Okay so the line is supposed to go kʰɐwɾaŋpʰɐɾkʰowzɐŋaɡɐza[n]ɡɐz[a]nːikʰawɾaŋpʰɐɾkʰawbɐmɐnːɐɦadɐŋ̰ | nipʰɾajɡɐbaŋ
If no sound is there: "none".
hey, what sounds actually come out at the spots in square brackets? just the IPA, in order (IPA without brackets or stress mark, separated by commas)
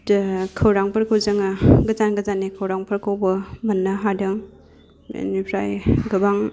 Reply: n, a